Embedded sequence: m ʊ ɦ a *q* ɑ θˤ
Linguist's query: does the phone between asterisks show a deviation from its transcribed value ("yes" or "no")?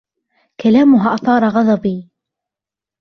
yes